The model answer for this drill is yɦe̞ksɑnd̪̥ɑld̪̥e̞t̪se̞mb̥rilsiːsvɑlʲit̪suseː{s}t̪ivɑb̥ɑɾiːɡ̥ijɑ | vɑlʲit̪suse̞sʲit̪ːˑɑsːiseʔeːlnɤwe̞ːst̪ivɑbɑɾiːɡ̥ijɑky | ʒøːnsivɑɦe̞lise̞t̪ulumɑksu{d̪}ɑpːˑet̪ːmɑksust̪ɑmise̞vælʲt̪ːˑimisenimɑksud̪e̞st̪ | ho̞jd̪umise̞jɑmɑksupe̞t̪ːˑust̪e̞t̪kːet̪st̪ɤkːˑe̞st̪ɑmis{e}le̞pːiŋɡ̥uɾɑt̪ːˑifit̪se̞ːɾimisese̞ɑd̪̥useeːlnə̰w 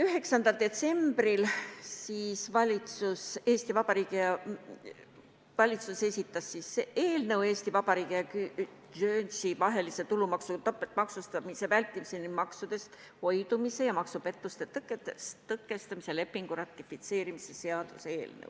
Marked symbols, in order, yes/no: yes, no, yes

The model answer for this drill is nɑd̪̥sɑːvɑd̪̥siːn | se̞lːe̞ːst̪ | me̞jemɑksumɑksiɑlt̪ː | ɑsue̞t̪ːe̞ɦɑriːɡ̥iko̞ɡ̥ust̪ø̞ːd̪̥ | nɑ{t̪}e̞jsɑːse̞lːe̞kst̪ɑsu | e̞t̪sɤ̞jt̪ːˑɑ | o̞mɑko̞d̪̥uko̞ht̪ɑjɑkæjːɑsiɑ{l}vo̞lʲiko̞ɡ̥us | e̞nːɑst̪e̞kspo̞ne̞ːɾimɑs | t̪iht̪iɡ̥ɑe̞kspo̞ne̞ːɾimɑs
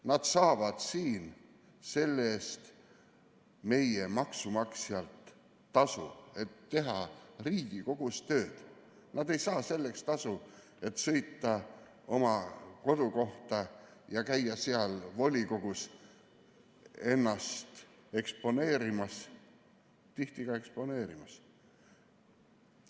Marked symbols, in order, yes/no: no, yes

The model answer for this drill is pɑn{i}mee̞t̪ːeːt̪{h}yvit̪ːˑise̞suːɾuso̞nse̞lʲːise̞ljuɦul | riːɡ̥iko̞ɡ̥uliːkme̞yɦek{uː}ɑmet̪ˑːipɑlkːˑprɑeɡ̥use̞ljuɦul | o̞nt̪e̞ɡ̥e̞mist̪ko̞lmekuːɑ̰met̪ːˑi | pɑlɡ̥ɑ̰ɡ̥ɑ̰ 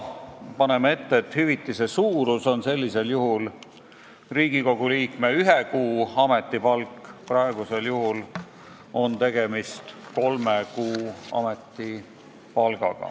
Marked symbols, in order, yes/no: no, yes, yes

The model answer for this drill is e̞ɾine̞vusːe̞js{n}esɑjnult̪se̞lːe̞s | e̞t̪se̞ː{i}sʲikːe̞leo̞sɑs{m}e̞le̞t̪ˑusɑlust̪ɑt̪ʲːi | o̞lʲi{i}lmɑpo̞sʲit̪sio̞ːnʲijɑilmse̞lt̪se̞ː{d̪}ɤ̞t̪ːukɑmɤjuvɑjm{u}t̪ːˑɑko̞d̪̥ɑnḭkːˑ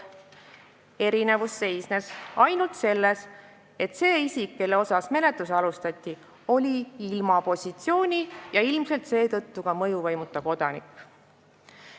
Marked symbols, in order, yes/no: yes, yes, yes, yes, no, yes

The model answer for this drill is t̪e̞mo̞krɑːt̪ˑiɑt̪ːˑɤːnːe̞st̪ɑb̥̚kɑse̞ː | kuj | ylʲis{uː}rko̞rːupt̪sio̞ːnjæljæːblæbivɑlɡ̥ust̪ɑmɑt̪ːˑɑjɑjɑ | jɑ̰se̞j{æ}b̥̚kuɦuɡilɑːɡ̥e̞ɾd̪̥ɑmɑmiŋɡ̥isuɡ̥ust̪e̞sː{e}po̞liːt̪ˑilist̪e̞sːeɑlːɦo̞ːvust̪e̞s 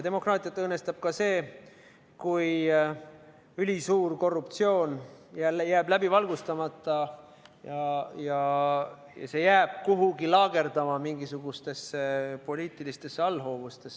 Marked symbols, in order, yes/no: yes, no, yes

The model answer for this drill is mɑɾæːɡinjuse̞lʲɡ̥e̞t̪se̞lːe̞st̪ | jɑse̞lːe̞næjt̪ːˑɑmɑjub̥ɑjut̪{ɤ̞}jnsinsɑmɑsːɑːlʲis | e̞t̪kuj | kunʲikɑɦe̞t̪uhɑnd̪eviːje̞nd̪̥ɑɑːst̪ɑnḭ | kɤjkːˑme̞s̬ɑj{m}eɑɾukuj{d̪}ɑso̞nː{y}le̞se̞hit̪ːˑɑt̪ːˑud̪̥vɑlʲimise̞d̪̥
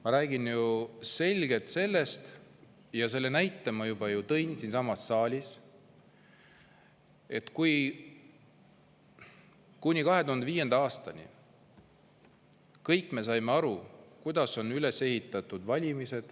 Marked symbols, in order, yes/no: yes, yes, yes, yes

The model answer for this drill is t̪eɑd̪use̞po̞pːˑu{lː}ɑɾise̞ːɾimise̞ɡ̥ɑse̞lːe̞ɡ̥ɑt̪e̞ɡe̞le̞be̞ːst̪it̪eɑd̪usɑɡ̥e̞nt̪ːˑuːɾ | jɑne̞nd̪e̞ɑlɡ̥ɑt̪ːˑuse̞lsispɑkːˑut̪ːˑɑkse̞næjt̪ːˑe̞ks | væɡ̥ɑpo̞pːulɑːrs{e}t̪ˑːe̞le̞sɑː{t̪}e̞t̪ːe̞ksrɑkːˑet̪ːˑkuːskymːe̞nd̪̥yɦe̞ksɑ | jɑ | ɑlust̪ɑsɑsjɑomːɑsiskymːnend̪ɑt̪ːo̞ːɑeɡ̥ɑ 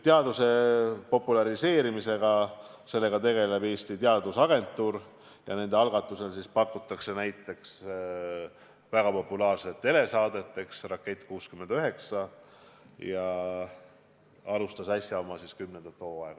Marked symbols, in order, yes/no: no, yes, no

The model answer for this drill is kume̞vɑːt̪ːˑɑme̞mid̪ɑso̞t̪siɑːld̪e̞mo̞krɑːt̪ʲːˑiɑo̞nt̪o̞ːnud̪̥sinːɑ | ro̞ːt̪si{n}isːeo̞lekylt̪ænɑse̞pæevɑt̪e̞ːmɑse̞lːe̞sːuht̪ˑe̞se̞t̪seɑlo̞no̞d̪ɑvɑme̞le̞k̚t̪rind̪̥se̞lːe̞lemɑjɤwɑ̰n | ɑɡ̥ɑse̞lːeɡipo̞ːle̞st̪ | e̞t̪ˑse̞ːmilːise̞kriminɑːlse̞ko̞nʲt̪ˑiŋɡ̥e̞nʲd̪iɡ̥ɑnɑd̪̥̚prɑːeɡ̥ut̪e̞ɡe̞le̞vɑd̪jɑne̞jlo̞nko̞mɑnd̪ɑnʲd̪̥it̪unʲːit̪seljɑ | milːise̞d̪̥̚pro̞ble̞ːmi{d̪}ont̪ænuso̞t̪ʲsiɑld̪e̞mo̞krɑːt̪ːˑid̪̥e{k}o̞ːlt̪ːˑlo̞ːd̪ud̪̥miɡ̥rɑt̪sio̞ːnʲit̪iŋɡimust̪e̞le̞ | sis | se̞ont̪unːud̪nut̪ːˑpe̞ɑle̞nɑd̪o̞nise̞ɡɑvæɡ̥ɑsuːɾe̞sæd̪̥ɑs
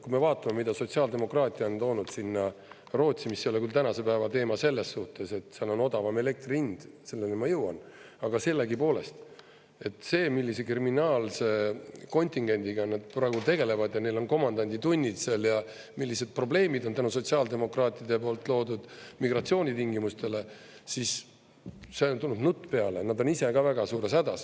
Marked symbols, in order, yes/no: no, yes, no

